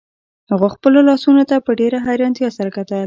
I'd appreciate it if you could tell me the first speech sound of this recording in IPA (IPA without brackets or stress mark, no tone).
h